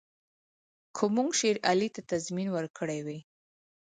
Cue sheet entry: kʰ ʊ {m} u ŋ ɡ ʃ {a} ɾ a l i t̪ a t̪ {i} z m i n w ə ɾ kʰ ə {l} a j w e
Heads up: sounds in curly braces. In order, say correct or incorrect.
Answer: correct, incorrect: e, incorrect: a, incorrect: ɽ

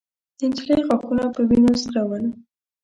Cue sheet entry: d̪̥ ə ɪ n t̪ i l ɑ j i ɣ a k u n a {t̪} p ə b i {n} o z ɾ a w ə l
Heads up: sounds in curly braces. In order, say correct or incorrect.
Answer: incorrect: none, correct

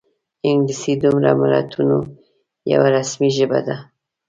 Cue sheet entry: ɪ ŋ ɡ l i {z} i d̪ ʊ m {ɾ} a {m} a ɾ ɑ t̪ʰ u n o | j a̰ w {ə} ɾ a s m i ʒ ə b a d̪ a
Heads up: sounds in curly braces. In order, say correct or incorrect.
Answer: incorrect: s, correct, correct, incorrect: a

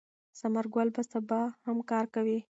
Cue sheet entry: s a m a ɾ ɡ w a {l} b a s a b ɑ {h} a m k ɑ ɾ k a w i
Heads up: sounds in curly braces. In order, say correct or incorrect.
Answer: correct, correct

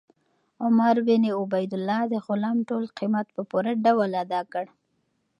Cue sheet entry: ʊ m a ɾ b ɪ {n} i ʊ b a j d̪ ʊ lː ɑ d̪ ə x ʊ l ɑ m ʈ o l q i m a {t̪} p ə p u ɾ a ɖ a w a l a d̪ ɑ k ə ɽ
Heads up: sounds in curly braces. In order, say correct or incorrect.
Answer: correct, correct

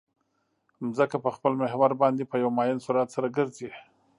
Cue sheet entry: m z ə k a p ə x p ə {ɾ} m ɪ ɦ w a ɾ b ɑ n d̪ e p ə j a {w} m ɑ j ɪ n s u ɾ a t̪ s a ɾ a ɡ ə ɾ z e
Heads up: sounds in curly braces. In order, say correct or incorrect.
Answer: incorrect: l, correct

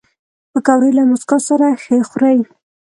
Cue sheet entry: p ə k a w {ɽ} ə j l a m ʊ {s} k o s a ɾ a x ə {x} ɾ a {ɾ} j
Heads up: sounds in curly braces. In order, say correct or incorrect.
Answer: incorrect: ɾ, correct, correct, incorrect: none

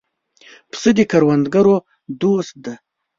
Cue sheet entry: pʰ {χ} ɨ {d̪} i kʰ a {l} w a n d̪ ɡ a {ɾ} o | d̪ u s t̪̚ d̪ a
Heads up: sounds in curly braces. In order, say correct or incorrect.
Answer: incorrect: s, correct, incorrect: ɾ, correct

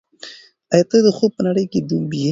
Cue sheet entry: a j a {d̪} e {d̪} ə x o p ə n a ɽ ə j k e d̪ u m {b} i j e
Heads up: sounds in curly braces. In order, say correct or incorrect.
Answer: incorrect: t̪, correct, correct

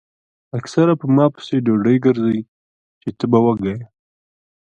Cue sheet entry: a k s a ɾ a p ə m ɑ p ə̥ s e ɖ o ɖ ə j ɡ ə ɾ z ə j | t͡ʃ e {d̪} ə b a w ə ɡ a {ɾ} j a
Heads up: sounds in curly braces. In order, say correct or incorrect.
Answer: incorrect: t̪, incorrect: none

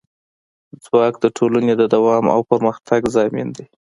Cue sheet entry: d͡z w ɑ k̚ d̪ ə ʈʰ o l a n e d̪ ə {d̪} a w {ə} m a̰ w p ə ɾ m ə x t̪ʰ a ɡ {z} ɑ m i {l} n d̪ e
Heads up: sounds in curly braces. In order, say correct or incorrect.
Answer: correct, incorrect: ɑ, correct, incorrect: none

